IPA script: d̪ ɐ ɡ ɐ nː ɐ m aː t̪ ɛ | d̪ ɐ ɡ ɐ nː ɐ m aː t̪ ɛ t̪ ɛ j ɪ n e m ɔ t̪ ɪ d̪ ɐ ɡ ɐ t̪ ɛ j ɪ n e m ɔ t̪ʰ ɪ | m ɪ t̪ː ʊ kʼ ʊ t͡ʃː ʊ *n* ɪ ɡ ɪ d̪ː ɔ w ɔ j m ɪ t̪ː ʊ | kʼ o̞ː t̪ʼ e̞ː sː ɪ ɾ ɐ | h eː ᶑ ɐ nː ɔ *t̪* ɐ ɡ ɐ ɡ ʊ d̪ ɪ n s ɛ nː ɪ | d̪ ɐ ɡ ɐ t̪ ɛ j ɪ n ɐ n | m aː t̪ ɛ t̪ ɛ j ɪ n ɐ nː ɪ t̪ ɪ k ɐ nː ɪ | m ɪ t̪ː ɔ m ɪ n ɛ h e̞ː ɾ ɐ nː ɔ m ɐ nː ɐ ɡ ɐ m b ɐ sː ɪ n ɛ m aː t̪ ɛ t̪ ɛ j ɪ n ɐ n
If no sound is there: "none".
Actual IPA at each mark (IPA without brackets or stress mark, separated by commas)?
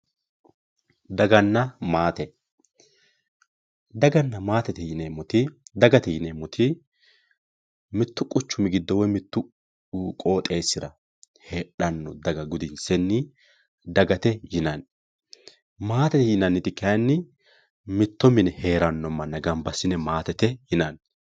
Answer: m, d̪